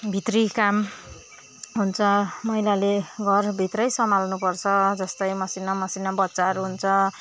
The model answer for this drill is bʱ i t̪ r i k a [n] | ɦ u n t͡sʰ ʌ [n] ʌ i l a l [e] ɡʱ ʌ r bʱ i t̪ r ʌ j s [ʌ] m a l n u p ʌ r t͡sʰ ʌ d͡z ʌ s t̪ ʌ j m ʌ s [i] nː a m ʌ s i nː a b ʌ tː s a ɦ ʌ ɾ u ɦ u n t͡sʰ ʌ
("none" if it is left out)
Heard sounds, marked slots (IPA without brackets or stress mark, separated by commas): m, m, e, ʌ, i